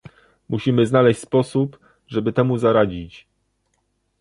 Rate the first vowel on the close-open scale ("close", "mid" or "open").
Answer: close